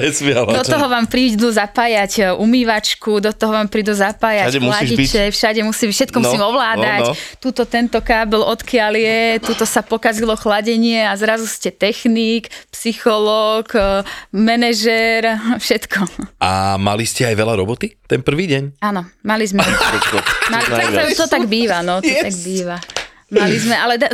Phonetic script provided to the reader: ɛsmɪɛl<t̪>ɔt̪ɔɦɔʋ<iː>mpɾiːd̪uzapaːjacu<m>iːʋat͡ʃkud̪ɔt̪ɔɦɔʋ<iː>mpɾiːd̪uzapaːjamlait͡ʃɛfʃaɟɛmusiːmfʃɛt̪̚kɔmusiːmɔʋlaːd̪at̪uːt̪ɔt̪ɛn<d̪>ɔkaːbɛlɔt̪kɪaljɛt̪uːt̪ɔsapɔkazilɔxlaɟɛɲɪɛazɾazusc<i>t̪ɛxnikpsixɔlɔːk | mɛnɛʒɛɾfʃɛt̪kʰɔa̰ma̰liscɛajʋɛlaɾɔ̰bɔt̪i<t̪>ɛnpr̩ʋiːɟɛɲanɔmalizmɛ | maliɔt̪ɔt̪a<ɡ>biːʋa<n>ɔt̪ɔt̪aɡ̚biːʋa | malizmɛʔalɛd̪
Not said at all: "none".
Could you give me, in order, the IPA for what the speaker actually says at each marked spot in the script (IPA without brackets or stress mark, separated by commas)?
d̪, aː, m, aː, t̪, ɛ, t̪, ɡ, n